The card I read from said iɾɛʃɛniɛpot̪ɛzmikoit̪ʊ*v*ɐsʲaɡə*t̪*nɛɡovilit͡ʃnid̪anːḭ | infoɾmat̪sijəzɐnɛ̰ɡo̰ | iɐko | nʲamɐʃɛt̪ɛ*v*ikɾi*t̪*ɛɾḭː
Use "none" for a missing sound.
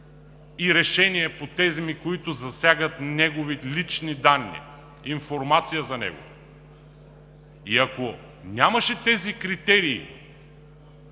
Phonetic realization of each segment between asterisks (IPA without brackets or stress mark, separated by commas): z, t̪, z, t̪